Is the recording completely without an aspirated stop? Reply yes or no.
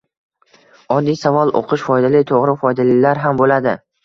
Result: no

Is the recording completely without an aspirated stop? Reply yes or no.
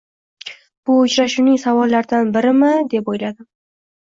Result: yes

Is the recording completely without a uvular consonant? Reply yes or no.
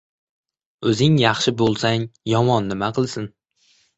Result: no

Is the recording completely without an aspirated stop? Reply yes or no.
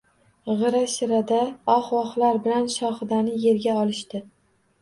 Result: yes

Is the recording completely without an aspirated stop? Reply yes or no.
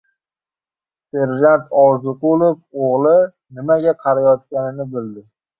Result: no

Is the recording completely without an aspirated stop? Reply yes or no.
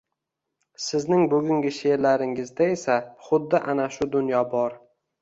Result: yes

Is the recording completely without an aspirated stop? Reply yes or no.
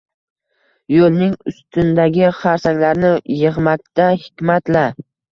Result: yes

